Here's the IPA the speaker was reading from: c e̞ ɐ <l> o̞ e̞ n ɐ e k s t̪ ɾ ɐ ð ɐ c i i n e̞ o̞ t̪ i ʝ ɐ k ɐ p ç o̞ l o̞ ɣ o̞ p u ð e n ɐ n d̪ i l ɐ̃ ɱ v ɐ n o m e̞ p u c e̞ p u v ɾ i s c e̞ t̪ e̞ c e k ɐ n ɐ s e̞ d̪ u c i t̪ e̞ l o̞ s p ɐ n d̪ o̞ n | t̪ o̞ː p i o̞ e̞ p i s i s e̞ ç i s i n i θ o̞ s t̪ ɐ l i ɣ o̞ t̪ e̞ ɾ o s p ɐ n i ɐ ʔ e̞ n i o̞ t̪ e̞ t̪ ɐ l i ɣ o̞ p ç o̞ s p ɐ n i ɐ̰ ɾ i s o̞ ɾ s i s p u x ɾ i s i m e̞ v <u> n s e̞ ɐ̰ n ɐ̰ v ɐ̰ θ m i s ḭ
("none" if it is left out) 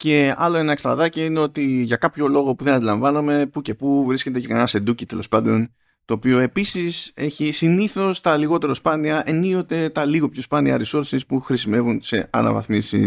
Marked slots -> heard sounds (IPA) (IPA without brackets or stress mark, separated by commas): l, u